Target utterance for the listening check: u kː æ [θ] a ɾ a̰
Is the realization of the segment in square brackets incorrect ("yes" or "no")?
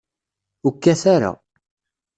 no